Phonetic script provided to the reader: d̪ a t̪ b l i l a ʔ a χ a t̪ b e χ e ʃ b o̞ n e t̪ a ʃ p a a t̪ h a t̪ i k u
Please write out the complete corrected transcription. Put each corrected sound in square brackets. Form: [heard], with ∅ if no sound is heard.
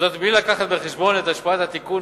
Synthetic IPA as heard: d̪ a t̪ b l i l a [k] a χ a t̪ b e χ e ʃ b o̞ n e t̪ a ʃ p a a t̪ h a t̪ i k u